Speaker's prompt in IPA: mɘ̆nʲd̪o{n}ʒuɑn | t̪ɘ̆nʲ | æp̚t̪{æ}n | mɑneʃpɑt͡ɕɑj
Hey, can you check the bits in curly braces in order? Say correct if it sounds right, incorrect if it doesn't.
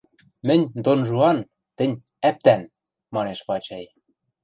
correct, correct

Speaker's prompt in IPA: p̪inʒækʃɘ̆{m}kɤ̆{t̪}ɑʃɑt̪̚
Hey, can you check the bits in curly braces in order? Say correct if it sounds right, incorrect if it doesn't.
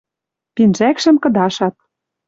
correct, incorrect: d̪

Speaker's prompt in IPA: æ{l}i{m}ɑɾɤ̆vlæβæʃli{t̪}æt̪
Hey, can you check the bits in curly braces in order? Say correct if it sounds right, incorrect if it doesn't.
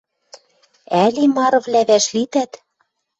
correct, correct, correct

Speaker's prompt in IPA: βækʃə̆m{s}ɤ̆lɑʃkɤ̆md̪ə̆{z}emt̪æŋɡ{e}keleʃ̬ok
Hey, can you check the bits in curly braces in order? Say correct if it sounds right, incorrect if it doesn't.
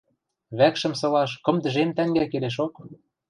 correct, incorrect: ʒ, incorrect: æ

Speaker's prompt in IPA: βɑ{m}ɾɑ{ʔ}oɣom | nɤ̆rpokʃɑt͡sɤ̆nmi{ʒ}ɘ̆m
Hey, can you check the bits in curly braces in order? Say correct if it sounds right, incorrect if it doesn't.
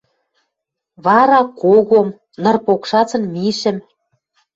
incorrect: none, incorrect: k, incorrect: ʃ

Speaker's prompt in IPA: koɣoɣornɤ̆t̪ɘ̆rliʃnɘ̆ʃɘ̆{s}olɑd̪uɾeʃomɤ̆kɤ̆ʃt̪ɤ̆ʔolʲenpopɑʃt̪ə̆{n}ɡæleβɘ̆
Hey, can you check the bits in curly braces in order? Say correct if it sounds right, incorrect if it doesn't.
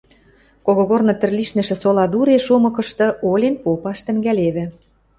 correct, incorrect: ŋ

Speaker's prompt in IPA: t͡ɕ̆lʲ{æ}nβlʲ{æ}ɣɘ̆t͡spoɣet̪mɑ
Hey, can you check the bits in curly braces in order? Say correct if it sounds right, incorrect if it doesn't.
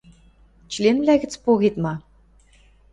incorrect: e, correct

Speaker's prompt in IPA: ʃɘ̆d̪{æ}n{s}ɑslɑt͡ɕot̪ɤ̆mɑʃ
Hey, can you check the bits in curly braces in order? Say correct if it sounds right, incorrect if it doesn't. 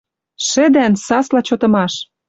correct, correct

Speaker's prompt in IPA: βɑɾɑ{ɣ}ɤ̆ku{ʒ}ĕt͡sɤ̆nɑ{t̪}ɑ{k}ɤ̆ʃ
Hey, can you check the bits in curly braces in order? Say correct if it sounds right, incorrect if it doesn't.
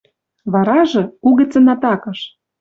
incorrect: ʒ, incorrect: ɣ, correct, correct

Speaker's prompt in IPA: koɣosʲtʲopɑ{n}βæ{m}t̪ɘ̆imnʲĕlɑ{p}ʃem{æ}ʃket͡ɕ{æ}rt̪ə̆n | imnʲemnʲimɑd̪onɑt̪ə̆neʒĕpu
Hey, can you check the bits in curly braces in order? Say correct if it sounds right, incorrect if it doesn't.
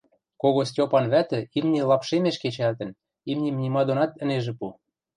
correct, incorrect: none, correct, incorrect: e, correct

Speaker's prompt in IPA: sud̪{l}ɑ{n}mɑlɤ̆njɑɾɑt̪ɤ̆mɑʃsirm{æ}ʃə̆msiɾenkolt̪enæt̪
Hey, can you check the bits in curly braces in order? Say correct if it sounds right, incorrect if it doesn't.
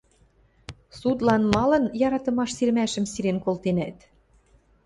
correct, correct, correct

